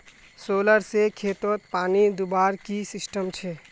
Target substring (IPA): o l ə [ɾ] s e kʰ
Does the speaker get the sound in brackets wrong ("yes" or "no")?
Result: no